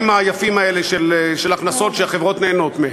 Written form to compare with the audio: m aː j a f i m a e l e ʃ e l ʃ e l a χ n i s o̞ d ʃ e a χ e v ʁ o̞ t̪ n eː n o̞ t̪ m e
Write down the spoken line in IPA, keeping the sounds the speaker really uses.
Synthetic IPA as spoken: m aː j a f i m a e l e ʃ e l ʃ e l a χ n a s o̞ t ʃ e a χ e v ʁ o̞ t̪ n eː n o̞ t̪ m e